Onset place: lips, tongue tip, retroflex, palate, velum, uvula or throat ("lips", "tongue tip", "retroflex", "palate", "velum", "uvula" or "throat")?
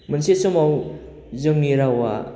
lips